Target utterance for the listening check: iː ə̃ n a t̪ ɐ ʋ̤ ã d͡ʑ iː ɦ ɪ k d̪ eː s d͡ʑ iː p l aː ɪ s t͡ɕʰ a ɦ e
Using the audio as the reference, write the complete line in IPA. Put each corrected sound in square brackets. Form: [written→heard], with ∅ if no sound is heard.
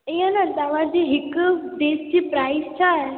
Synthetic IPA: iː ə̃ n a t̪ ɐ ʋ̤ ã d͡ʑ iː ɦ ɪ k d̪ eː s d͡ʑ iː p [l→ɾ] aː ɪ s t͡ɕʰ a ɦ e